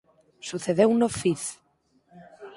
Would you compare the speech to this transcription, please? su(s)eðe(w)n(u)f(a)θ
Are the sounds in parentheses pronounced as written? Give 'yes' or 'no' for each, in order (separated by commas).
no, yes, no, no